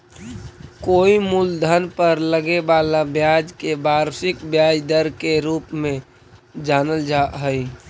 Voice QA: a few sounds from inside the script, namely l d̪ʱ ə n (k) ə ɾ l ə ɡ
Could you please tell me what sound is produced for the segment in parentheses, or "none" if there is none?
p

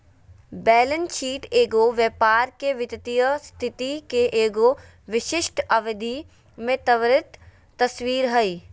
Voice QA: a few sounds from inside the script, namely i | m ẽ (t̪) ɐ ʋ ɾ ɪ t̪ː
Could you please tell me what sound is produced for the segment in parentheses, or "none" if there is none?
t̪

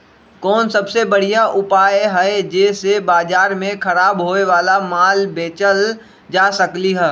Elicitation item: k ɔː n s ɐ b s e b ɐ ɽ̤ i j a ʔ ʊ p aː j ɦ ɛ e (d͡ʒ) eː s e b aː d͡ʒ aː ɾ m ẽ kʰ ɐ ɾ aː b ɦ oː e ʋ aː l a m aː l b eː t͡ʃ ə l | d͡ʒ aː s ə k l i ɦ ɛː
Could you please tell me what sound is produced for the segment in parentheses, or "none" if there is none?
d͡ʒ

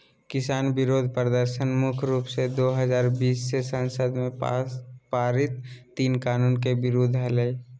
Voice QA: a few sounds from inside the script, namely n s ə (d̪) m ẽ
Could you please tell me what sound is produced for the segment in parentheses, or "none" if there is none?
d̪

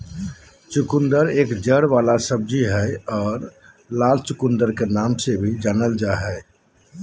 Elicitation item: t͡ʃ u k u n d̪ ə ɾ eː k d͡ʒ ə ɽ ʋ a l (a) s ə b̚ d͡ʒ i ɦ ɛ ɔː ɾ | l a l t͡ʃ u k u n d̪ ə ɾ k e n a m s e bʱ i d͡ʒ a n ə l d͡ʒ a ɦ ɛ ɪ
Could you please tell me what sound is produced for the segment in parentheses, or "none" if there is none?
a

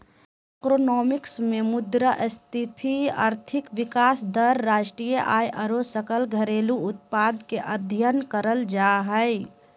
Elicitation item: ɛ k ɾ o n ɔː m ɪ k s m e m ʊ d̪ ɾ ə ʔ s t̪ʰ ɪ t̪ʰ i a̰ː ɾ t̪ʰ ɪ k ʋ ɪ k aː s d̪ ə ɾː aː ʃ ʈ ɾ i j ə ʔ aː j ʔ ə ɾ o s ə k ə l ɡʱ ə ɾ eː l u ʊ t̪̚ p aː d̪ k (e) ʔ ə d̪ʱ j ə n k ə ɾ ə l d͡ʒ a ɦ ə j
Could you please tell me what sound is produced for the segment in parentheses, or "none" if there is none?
e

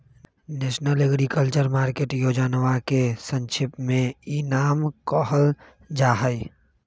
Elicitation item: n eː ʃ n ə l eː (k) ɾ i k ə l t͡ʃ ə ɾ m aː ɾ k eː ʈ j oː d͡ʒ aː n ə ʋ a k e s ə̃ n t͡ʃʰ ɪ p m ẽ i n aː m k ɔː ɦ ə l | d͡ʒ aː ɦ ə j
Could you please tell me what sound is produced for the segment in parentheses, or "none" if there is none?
ɡ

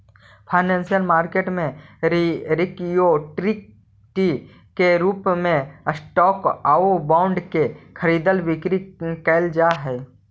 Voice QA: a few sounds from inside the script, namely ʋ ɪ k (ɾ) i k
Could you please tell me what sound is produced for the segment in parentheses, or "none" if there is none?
ɾ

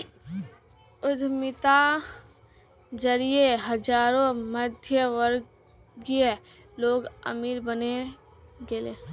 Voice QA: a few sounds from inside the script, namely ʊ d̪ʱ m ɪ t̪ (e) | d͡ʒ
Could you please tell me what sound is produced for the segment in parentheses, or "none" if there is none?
a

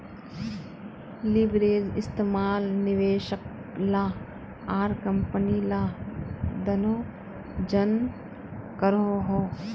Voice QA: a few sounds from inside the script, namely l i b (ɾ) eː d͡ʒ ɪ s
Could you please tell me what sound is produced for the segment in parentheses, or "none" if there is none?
ɾ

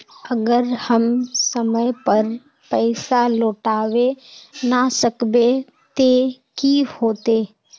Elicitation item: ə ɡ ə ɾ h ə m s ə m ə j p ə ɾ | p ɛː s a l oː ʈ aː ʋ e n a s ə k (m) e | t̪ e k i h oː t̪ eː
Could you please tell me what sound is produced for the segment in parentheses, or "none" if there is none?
b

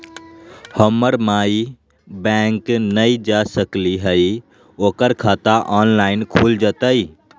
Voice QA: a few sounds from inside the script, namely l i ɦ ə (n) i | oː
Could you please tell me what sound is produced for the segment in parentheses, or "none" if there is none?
none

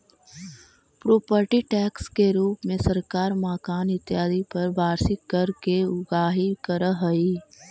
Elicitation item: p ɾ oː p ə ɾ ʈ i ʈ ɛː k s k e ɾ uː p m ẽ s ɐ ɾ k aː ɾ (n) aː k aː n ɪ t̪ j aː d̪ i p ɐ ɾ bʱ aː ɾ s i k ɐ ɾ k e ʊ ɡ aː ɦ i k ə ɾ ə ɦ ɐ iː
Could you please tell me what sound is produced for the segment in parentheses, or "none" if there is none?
m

